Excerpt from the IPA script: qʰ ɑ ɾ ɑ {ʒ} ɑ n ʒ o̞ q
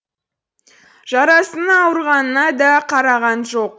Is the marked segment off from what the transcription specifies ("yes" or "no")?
yes